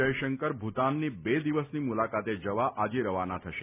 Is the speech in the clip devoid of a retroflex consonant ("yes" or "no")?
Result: yes